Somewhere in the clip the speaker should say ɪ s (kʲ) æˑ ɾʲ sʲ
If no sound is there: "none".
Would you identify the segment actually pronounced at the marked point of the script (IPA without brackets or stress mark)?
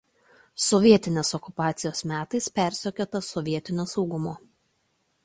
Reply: pʲ